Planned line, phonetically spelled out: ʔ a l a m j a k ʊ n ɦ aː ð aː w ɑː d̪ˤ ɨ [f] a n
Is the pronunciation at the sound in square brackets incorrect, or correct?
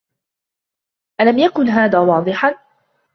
incorrect